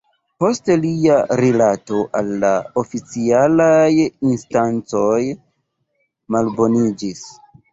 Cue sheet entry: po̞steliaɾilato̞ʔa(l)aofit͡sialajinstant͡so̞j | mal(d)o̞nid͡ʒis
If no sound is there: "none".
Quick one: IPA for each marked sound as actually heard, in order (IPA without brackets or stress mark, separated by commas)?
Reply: lː, b